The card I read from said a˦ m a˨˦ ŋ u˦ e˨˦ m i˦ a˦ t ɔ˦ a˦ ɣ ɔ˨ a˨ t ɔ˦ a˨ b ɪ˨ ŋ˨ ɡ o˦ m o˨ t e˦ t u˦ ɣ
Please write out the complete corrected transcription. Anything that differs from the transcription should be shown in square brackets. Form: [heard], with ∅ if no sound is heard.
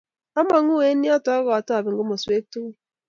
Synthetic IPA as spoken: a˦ m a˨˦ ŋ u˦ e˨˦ [n] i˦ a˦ t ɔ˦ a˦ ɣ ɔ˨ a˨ t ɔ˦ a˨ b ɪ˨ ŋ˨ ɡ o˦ m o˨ [s] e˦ t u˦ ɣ